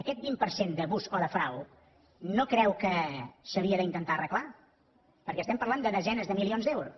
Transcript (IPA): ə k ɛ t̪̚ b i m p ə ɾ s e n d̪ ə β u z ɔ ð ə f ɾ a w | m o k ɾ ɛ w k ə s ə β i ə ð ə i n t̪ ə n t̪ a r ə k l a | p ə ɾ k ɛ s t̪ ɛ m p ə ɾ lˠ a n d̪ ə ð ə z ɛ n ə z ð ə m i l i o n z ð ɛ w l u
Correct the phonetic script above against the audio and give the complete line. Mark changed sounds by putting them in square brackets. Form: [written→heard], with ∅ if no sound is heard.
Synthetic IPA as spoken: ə k ɛ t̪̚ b i m p ə ɾ s e n d̪ ə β u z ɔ ð ə f ɾ a w | [m→n] o k ɾ ɛ w k ə s ə β i ə ð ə i n t̪ ə n t̪ a r ə k l a | p ə ɾ k ɛ s t̪ ɛ m p ə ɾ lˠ a n d̪ ə ð ə z ɛ n ə z ð ə m i l i o n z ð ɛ w [l→ɾ] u